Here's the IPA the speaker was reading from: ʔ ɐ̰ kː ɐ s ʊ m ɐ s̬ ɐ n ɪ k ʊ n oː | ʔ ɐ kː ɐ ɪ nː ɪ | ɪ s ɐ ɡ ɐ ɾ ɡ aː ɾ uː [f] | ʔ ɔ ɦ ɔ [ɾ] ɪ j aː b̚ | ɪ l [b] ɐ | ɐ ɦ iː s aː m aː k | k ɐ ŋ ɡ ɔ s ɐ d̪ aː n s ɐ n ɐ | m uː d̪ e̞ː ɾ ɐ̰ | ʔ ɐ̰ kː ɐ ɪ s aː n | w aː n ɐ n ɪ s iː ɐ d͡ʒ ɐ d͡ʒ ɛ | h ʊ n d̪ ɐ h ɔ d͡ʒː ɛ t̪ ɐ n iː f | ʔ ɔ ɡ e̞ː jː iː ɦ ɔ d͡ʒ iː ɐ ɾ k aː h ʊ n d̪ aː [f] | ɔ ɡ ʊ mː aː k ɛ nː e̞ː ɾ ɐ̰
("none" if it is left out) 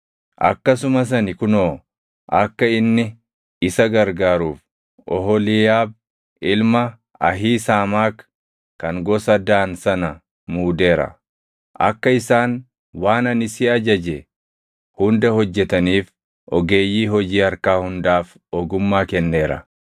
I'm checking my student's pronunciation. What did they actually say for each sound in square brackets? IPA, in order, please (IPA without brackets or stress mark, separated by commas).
f, l, m, f